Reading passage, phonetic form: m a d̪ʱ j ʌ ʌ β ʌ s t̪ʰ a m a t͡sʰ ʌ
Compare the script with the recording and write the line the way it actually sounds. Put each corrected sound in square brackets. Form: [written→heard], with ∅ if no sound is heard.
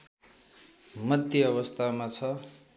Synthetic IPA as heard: m [a→ʌ] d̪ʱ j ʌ ʌ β ʌ s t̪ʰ a m a t͡sʰ ʌ